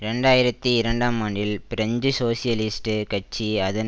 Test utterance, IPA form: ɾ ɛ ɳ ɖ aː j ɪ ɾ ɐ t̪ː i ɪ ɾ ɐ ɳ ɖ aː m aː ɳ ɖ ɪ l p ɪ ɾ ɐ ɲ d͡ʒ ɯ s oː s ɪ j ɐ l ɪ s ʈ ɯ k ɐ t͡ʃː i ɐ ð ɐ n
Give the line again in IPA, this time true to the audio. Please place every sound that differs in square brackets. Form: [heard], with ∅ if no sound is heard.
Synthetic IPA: ɾ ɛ ɳ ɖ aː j ɪ ɾ ɐ t̪ː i ɪ ɾ ɐ ɳ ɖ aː m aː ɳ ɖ ɪ l p ɪ ɾ ɐ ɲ d͡ʒ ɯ s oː s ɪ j ɐ l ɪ s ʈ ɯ k ɐ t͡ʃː i ɐ ð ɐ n